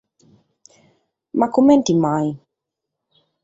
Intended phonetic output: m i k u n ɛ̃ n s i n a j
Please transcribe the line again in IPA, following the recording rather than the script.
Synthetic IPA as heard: m a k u m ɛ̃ n t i m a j